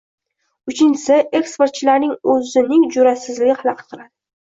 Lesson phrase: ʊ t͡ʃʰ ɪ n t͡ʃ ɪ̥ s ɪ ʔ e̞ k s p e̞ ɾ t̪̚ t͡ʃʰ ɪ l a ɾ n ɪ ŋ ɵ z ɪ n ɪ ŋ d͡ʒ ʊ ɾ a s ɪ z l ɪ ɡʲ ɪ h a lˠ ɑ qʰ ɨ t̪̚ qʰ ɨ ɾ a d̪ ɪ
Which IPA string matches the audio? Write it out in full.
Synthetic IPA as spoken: ʊ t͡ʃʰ ɪ n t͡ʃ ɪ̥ s ɪ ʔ e̞ k s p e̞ ɾ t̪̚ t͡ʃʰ ɪ l a ɾ n ɪ ŋ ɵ z ɪ n ɪ ŋ d͡ʒ ʊ ɾ a s ɪ z l ɪ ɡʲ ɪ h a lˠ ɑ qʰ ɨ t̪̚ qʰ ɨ ɾ a d̪ ɪ